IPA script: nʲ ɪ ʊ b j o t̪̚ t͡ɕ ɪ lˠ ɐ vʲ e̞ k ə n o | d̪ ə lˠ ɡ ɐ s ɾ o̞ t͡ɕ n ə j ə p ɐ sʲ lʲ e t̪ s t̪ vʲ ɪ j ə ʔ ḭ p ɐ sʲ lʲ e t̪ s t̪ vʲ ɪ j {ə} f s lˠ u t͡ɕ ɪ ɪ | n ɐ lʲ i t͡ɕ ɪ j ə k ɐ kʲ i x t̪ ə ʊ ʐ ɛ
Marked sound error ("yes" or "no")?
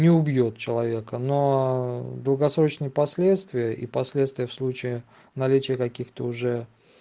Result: no